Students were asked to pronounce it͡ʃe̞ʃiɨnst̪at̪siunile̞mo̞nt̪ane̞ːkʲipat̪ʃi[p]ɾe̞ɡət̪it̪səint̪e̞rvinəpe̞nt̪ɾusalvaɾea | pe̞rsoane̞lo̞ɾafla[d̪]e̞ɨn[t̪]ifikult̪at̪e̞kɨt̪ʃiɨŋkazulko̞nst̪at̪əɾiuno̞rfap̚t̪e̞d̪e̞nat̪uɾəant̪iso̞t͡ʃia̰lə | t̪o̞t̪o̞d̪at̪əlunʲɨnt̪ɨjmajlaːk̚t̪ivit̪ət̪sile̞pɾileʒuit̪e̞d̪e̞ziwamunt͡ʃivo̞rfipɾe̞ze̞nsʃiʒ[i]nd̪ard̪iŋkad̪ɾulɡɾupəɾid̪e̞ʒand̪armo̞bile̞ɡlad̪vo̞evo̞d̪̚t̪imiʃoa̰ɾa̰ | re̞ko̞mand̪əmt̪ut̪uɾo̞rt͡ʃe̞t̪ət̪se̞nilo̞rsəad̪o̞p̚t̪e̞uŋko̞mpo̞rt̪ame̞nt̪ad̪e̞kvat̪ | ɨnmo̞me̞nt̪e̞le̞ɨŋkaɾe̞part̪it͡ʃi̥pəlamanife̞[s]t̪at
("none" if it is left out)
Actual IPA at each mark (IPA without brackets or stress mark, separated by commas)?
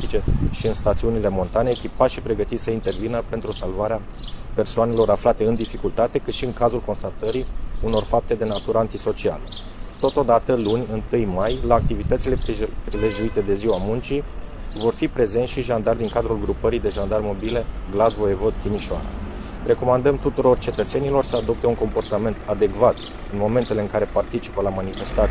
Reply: p, t̪, d̪, a, s